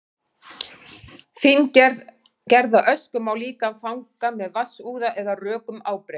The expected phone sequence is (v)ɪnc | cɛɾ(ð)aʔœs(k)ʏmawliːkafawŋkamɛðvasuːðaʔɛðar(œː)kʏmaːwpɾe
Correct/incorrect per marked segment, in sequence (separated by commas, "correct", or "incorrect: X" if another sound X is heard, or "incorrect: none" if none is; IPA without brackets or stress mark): incorrect: f, correct, correct, correct